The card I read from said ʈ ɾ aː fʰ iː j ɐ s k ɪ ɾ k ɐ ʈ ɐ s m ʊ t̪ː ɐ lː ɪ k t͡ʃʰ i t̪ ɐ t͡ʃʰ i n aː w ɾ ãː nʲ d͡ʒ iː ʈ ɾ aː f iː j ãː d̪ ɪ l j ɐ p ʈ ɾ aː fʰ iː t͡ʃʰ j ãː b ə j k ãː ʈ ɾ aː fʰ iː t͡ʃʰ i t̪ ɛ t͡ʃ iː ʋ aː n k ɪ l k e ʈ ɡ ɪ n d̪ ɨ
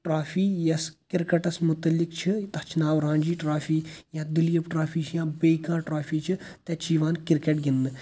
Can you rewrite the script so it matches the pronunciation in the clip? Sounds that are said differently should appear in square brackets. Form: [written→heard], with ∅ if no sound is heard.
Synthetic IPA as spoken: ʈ ɾ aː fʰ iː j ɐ s k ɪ ɾ k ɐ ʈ ɐ s m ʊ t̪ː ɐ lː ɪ k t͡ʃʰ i t̪ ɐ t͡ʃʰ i n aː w ɾ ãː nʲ d͡ʒ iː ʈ ɾ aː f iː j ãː d̪ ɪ l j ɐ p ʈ ɾ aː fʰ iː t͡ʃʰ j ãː b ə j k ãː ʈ ɾ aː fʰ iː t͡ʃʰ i t̪ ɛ t͡ʃ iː ʋ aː n k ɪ [l→ɾ] k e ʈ ɡ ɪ n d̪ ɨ